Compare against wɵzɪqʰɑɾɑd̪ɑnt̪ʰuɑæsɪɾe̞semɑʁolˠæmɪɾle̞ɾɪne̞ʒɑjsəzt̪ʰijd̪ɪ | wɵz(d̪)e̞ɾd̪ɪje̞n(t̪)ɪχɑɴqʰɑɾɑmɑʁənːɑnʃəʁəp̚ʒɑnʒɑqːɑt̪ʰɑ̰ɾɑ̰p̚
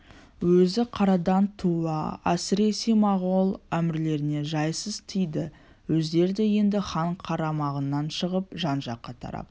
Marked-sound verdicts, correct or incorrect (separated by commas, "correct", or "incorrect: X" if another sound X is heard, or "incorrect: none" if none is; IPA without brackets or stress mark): correct, incorrect: d̪